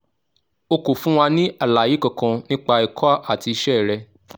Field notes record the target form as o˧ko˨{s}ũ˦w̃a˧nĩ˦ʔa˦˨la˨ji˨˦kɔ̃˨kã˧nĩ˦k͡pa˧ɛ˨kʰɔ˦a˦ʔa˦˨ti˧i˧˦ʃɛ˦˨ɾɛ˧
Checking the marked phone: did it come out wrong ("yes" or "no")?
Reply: yes